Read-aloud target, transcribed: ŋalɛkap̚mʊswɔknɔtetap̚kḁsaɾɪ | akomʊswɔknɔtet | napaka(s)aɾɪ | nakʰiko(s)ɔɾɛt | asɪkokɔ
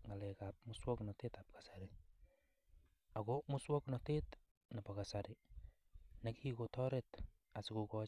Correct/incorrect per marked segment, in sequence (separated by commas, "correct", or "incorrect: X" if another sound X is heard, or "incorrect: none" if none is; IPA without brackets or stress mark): correct, incorrect: t